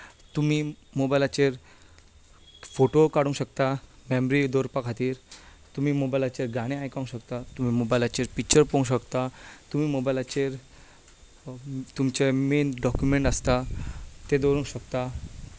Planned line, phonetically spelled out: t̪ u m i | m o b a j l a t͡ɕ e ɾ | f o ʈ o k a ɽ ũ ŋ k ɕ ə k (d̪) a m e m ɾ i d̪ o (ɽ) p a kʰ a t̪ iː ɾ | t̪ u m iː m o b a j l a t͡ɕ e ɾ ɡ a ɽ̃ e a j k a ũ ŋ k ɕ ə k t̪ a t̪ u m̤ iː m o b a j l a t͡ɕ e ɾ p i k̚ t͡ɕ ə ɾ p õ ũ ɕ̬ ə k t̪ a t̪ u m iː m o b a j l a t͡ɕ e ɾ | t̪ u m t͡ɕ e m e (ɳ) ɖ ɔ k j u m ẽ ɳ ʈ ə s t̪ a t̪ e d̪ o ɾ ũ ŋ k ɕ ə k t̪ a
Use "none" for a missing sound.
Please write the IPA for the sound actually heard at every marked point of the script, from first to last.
t̪, ɾ, n

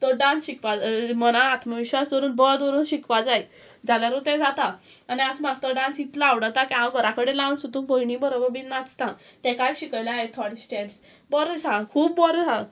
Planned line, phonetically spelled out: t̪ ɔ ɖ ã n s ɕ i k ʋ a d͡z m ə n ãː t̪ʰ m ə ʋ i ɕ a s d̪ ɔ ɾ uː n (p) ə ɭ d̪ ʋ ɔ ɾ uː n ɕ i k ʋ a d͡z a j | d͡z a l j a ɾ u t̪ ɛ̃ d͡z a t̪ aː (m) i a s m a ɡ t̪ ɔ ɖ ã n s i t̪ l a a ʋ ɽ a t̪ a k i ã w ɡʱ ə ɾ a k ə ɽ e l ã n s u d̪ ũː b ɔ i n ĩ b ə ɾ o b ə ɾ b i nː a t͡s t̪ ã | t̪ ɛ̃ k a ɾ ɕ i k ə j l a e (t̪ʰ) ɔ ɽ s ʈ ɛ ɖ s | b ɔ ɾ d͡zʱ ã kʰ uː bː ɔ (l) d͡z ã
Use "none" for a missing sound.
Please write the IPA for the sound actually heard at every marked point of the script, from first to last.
b, n, t̪ʰ, ɾ

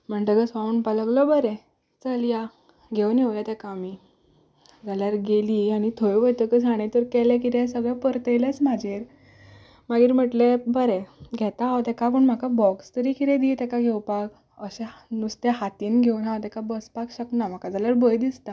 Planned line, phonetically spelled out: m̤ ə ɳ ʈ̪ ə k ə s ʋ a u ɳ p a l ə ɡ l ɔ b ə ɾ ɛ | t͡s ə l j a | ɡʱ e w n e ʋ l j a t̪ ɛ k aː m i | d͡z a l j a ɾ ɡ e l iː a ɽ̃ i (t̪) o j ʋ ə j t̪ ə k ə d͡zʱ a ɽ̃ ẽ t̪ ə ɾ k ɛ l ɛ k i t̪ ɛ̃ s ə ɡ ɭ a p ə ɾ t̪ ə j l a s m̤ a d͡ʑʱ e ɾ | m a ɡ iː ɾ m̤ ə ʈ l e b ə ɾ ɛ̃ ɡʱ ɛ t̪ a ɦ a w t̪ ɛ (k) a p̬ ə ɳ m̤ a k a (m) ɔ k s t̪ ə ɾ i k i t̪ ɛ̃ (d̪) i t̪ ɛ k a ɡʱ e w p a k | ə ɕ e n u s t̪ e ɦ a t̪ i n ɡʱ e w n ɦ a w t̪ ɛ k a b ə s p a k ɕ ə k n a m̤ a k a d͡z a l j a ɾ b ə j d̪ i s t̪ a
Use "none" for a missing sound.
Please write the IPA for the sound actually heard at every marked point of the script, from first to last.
t̪ʰ, k, b, d̪

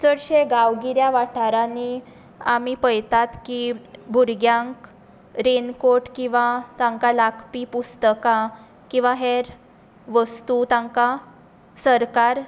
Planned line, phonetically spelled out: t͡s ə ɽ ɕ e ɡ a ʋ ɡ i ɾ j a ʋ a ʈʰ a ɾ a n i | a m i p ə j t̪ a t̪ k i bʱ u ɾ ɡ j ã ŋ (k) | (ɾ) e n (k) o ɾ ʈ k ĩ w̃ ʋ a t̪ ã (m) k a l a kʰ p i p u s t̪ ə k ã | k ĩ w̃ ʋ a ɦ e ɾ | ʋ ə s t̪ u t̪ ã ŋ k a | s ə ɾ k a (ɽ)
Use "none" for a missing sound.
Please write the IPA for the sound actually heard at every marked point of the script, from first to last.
k, ɾ, k, ŋ, ɾ

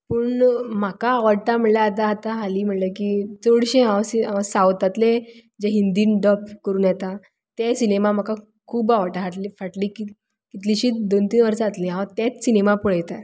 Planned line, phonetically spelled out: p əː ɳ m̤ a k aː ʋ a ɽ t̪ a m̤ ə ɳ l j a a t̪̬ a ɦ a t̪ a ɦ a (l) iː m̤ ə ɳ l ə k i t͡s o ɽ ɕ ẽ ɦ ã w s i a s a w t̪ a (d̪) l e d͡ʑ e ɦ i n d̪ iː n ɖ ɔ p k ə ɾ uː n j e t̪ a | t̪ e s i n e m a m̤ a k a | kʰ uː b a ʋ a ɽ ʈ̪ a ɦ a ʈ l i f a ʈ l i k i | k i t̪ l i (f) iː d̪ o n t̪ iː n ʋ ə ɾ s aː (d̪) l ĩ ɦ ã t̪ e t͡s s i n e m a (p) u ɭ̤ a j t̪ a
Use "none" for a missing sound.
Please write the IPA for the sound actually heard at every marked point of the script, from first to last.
l, t̪, ɕ, t̪, p

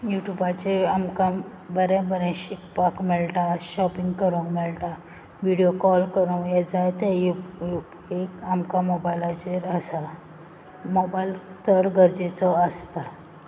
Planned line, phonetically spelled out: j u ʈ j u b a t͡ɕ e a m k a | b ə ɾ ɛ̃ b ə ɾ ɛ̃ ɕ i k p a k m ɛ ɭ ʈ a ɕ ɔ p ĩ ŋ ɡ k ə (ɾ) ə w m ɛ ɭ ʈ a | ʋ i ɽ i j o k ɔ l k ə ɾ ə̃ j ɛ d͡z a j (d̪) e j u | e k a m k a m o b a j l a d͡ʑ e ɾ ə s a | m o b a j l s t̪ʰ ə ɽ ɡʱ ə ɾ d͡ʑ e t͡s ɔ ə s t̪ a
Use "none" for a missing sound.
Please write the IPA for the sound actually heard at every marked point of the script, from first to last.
ɾ, t̪

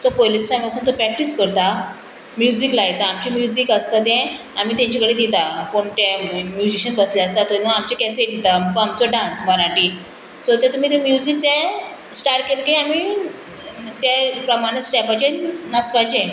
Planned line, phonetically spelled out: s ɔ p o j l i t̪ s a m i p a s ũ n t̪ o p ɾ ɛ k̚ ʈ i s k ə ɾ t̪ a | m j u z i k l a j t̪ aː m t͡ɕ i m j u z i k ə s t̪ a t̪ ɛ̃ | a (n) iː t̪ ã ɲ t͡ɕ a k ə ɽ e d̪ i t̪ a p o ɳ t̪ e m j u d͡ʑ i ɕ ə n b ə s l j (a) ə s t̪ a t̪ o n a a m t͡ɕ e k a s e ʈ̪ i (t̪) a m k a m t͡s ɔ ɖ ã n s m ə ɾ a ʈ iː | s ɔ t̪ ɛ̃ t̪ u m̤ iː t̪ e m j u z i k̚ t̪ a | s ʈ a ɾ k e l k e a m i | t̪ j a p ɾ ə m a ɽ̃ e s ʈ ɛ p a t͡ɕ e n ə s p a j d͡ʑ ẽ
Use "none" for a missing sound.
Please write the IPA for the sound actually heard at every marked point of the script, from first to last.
m, a, t̪

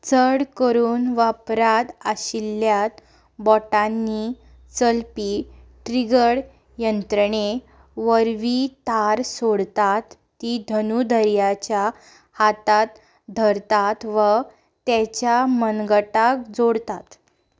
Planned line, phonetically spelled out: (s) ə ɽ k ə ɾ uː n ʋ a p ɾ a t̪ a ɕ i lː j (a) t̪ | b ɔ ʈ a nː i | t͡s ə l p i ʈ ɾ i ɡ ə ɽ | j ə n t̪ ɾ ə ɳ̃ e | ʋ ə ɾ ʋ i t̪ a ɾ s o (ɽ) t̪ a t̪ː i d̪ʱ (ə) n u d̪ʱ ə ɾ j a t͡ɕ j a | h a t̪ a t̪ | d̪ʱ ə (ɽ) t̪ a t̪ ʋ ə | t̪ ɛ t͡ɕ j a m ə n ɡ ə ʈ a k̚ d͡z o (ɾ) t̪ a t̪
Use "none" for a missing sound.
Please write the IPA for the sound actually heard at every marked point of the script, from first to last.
t͡s, a, ɽ, ə, ɾ, ɽ

